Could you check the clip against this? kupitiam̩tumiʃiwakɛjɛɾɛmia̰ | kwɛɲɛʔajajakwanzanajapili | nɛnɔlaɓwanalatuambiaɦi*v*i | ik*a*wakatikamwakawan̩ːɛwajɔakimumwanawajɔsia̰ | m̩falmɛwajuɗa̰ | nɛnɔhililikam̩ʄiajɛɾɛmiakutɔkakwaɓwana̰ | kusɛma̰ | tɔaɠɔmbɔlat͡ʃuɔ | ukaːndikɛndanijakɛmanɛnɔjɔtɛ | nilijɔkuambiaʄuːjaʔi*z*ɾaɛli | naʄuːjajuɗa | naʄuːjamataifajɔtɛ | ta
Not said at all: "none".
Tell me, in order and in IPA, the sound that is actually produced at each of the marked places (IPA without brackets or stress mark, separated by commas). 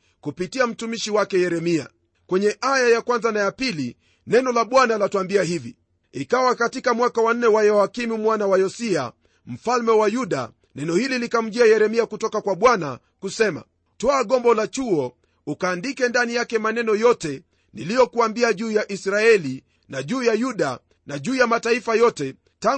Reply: v, a, s